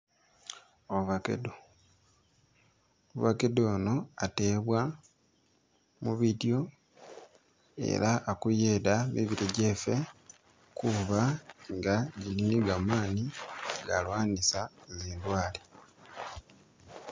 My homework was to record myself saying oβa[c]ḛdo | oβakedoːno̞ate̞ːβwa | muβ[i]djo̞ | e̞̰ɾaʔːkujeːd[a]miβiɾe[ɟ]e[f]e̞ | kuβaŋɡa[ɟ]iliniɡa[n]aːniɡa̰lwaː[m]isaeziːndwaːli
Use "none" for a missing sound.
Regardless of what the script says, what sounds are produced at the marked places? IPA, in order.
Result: k, i, a, ɟ, f, ɟ, m, n

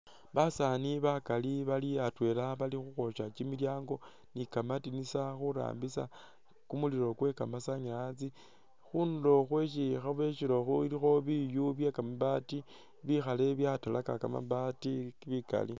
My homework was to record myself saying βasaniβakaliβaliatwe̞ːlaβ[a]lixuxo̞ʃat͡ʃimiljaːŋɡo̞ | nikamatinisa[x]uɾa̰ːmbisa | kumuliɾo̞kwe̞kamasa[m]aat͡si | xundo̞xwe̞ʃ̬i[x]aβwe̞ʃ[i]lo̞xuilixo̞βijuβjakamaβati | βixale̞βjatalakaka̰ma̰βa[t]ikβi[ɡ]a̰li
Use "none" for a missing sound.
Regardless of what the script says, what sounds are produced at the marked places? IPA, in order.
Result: a, x, ɲ, x, i, t, k

